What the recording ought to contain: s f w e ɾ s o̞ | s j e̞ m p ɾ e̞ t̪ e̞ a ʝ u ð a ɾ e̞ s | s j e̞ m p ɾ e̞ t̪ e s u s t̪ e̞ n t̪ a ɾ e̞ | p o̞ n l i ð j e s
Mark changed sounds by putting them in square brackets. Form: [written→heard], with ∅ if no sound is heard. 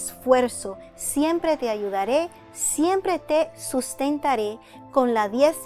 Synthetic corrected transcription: s f w e ɾ s o̞ | s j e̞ m p ɾ e̞ t̪ e̞ a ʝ u ð a ɾ e̞ [s→∅] | s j e̞ m p ɾ e̞ t̪ e s u s t̪ e̞ n t̪ a ɾ e̞ | [p→k] o̞ n l [i→a] ð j e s